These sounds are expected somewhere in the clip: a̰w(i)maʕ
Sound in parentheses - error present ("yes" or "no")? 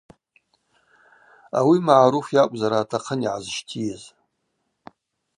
no